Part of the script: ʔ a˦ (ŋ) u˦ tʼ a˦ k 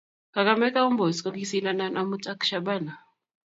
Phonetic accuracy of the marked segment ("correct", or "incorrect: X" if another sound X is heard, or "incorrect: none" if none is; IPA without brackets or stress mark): incorrect: m